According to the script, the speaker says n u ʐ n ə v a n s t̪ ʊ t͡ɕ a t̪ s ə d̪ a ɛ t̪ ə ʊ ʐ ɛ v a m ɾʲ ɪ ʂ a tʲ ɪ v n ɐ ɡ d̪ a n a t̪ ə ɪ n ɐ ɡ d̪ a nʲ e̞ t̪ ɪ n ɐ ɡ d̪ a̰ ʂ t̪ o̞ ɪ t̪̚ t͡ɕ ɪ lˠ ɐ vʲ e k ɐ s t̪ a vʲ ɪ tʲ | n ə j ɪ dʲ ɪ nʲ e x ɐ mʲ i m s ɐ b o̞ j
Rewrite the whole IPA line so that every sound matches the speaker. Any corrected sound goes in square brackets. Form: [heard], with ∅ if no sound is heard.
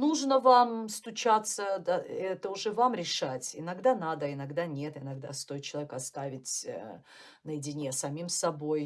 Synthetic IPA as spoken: n u ʐ n ə v a [m] s t̪ ʊ t͡ɕ a t̪ s ə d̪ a ɛ t̪ ə ʊ ʐ ɛ v a m ɾʲ ɪ ʂ a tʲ ɪ [∅] n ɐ ɡ d̪ a n a [d̪] ə ɪ n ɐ ɡ d̪ a nʲ e̞ t̪ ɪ n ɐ ɡ d̪ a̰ [s] t̪ o̞ ɪ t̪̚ t͡ɕ ɪ lˠ ɐ vʲ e k ɐ s t̪ a vʲ ɪ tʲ | n ə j ɪ dʲ ɪ nʲ e [s] ɐ mʲ i m s ɐ b o̞ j